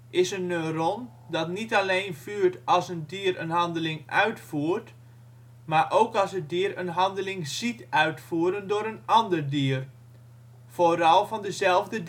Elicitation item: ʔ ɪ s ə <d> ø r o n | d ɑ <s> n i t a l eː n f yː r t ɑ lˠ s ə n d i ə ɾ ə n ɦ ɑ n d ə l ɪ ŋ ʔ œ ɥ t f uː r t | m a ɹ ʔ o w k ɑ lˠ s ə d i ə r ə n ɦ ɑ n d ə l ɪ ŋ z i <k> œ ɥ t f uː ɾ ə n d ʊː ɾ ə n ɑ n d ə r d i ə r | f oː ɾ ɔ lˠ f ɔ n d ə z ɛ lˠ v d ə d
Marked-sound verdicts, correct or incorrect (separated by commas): incorrect, incorrect, incorrect